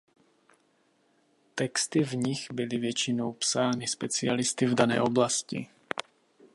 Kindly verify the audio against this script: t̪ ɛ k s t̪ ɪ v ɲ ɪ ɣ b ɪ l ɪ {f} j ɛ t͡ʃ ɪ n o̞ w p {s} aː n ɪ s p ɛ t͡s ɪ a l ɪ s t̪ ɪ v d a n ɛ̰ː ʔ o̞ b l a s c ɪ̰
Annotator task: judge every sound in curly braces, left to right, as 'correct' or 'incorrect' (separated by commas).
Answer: incorrect, correct